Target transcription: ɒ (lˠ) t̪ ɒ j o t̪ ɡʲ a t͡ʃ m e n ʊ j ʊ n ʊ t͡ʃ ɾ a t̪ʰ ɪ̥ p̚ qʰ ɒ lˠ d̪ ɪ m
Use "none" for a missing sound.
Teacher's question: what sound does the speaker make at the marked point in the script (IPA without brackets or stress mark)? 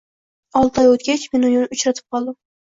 lˠ